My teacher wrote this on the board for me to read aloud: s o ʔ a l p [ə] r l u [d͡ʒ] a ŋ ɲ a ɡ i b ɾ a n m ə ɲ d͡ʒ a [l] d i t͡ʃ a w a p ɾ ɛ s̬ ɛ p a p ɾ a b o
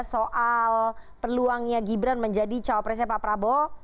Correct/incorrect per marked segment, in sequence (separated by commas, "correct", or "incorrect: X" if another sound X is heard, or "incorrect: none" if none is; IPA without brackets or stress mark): correct, incorrect: none, incorrect: none